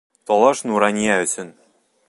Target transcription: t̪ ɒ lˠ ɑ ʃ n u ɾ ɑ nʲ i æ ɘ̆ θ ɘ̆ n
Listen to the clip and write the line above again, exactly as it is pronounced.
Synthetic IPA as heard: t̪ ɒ lˠ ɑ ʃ n u ɾ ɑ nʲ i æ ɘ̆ s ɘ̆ n

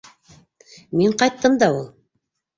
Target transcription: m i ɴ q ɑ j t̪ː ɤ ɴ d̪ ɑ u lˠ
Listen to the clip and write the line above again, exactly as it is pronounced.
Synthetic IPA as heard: m i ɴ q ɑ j t̪ː ɤ m d̪ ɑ u lˠ

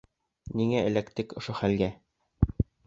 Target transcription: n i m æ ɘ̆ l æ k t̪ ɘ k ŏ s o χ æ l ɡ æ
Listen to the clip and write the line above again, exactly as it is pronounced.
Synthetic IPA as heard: n i ŋ æ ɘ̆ l æ k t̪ ɘ k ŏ ʃ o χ æ l ɡ æ

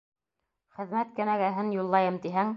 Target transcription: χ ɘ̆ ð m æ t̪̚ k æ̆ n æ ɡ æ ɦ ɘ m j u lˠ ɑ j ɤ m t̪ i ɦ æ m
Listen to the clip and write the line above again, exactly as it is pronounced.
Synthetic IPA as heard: χ ɘ̆ ð m æ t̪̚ k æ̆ n æ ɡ æ ɦ ɘ n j u lˠː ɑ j ɤ m t̪ i ɦ æ ŋ

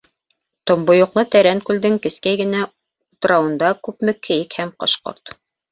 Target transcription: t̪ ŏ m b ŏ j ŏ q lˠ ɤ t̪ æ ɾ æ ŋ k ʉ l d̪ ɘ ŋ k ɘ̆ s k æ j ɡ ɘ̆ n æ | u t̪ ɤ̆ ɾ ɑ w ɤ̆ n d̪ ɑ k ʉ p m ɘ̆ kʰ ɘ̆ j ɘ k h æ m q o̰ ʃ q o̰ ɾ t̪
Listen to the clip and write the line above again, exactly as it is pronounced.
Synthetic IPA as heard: t̪ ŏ m b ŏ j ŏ q lˠ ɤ t̪ æ ɾ æ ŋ k ʉ l d̪ ɘ ŋ k ɘ̆ s k æ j ɡ ɘ̆ n æ | u t̪ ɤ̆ ɾ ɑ w ɤ̆ n d̪ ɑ k ʉ p m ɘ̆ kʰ ɘ̆ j ɘ k h æ m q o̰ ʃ q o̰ ɾ t̪

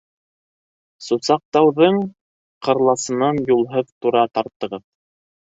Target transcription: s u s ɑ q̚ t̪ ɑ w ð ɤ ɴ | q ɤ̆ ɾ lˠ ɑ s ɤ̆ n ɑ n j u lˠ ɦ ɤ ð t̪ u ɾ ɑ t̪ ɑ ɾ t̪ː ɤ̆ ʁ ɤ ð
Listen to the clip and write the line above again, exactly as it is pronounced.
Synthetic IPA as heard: s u s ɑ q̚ t̪ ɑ w ð ɤ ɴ | q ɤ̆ ɾ lˠ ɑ s ɤ̆ n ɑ n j u lˠ ɦ ɤ ð t̪ u ɾ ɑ t̪ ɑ ɾ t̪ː ɤ̆ ʁ ɤ ð

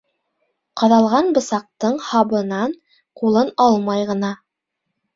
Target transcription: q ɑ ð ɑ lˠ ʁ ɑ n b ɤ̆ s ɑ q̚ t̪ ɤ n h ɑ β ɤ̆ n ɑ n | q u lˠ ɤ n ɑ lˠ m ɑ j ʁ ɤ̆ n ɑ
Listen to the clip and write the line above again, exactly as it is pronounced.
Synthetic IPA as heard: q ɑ ð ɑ lˠ ʁ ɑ n b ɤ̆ s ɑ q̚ t̪ ɤ ɴ h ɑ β ɤ̆ n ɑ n | q u lˠ ɤ n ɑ lˠ m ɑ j ʁ ɤ̆ n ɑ

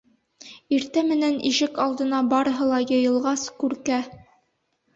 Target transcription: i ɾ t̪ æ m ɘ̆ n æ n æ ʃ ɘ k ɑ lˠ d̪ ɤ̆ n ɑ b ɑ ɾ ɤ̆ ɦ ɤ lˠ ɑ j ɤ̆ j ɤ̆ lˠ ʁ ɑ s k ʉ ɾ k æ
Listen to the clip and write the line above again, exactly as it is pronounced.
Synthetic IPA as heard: i ɾ t̪ æ m ɘ̆ n æ n i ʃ ɘ k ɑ lˠ d̪ ɤ̆ n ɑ b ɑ ɾ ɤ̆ ɦ ɤ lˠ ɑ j ɤ̆ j ɤ̆ lˠ ʁ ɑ s k ʉ ɾ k æ

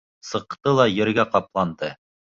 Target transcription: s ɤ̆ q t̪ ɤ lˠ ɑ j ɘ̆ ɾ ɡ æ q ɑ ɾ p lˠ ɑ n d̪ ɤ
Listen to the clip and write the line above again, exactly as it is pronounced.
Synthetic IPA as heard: s ɤ̆ q t̪ ɤ lˠ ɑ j ɘ̆ ɾ ɡ æ q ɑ p lˠ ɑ n d̪ ɤ

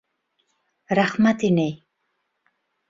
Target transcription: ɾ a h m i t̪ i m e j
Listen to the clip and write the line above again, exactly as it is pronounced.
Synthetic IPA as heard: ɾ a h m a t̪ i n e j

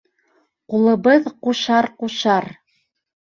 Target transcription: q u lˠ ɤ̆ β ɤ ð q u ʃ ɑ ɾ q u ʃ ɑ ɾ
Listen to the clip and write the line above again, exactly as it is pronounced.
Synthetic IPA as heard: q u lˠ ɤ̆ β ɤ ð q u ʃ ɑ ɾ q u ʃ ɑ ɾ

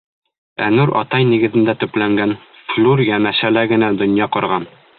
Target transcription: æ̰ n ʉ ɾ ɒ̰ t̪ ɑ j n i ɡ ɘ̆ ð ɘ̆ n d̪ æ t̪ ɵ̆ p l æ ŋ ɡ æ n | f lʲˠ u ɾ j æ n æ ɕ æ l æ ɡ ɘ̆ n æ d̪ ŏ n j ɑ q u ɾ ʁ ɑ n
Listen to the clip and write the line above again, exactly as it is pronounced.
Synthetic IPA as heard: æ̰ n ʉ ɾ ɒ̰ t̪ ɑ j n i ɡ ɘ̆ ð ɘ̆ n d̪ æ t̪ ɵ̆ p l æ ŋ ɡ æ n | f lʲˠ u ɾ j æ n æ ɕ æ l æ ɡ ɘ̆ n æ d̪ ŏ n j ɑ q ɒ ɾ ʁ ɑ n

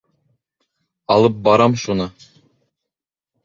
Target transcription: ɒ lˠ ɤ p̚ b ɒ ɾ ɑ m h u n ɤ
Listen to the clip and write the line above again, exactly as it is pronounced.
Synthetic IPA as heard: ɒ lˠ ɤ p̚ b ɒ ɾ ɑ m ʃ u n ɤ

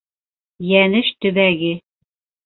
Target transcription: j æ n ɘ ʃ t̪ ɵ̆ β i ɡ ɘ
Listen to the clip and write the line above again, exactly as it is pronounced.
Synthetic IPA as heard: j æ n ɘ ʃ t̪ ɵ̆ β æ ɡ ɘ

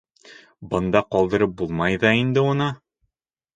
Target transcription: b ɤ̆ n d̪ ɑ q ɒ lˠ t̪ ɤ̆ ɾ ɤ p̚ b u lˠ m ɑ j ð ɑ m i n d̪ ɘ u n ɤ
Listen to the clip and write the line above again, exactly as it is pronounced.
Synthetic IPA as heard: b ɤ̆ n d̪ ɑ q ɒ lˠ d̪ ɤ̆ ɾ ɤ p̚ b u lˠ m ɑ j ð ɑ i n d̪ ɘ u n ɤ

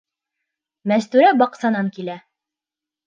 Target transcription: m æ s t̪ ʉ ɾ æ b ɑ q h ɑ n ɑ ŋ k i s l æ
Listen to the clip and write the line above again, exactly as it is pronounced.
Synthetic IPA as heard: m æ s t̪ ʉ ɾ æ b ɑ q s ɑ n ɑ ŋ k i l æ

